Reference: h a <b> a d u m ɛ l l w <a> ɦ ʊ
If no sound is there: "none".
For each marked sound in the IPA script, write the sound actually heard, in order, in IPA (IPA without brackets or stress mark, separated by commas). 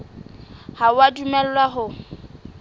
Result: w, a